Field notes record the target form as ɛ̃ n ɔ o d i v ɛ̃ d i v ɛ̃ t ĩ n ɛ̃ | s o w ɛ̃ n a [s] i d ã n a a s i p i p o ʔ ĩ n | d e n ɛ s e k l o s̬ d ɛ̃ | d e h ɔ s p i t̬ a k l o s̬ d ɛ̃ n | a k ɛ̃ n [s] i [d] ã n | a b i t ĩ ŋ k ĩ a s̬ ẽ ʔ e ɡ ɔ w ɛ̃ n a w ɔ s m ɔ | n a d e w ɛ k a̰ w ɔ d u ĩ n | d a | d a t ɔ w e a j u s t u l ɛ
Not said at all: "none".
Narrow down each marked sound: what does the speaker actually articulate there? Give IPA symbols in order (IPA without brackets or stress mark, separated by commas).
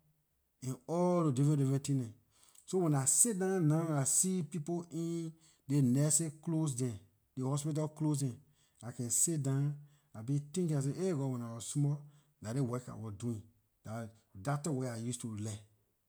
s, s, d